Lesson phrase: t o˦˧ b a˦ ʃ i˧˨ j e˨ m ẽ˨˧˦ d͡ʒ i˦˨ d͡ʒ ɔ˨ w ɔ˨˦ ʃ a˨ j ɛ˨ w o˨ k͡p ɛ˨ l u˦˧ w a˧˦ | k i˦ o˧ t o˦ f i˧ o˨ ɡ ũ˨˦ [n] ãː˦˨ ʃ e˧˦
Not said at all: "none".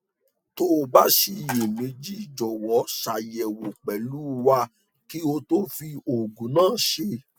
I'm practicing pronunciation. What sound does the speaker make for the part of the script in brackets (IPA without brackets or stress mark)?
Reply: n